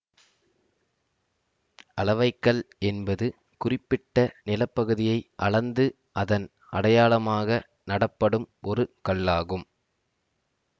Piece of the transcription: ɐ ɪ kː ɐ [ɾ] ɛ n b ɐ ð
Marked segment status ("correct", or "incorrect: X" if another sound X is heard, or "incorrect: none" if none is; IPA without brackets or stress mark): incorrect: ɭ